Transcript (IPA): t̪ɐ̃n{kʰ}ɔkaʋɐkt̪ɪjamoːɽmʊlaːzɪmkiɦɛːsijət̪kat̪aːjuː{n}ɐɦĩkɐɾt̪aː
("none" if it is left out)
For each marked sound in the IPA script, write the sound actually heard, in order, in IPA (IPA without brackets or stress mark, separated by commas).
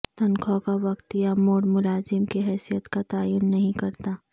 kʰ, nː